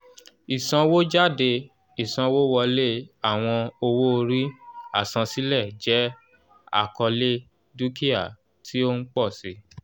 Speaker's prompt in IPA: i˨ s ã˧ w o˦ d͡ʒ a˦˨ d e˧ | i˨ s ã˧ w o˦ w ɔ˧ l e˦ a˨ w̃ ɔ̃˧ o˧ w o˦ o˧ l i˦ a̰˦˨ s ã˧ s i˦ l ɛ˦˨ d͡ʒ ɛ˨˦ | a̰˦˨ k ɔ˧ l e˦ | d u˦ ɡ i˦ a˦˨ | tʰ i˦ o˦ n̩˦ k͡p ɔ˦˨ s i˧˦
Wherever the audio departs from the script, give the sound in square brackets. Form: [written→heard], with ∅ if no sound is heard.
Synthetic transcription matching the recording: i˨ s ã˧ w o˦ d͡ʒ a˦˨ d e˧ | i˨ s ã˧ w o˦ w ɔ˧ l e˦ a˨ w̃ ɔ̃˧ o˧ w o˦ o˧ [l→ɾ] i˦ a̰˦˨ s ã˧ s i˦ l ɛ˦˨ d͡ʒ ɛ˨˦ | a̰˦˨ k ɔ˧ l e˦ | d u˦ [ɡ→k] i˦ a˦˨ | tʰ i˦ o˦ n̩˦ k͡p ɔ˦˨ s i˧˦